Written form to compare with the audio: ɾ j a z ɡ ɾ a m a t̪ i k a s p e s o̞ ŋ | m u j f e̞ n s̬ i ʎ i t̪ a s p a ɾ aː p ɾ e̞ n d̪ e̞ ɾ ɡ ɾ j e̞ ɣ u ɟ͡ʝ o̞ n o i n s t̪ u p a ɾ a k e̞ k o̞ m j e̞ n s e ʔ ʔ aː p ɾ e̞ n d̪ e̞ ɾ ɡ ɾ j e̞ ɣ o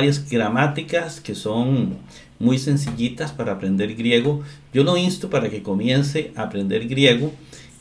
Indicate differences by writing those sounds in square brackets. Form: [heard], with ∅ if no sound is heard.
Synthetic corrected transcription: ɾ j a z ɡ ɾ a m a t̪ i k a s [k] e s o̞ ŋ | m u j [s] e̞ n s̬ i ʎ i t̪ a s p a ɾ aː p ɾ e̞ n d̪ e̞ ɾ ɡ ɾ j e̞ ɣ [o] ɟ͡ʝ o̞ n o i n s t̪ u p a ɾ a k e̞ k o̞ m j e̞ n s e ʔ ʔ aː p ɾ e̞ n d̪ e̞ ɾ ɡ ɾ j e̞ ɣ o